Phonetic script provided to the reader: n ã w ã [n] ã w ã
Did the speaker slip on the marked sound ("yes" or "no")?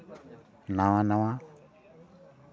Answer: no